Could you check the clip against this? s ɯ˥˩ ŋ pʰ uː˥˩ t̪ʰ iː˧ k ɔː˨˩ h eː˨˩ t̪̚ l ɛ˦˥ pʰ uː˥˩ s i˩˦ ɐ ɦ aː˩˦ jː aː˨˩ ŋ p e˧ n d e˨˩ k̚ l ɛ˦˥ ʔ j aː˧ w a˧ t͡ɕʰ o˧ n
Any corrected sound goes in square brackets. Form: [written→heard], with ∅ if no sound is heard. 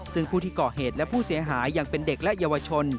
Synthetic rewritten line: s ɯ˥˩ ŋ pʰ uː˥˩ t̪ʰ [iː˧→iː˥˩] k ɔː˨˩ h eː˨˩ t̪̚ l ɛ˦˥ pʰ uː˥˩ s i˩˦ ɐ ɦ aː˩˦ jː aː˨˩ ŋ p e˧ n d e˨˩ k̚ l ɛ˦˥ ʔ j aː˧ w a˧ t͡ɕʰ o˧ n